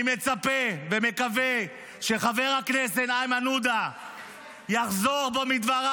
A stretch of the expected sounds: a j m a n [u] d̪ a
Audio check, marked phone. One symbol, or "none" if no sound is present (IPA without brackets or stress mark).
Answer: u